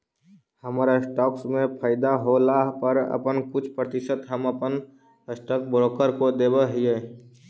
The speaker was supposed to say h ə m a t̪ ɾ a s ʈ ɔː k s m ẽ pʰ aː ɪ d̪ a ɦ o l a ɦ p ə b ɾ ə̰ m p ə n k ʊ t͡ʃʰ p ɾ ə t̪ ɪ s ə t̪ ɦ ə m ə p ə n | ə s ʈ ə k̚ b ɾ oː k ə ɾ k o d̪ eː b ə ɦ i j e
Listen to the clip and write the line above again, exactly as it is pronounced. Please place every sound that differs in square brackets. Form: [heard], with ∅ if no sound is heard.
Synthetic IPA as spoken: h ə m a [∅] ɾ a s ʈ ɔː k s m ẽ pʰ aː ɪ d̪ a ɦ o l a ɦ p ə [∅] ɾ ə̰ [∅] p ə n k ʊ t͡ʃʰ p ɾ ə t̪ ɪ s ə t̪ ɦ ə m ə p ə n | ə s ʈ ə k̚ b ɾ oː k ə ɾ k o d̪ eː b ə ɦ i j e